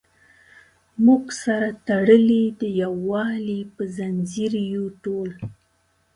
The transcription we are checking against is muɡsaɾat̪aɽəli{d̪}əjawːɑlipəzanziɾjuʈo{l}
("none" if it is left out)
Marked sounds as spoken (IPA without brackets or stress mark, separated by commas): d̪, l